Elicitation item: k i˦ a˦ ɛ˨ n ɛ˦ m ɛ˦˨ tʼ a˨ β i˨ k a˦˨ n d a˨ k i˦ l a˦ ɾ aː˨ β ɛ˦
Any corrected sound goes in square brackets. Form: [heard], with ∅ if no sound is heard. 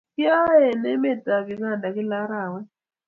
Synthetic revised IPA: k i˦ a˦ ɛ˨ n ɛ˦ m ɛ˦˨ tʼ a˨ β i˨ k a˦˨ n d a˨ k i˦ l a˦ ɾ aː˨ [w] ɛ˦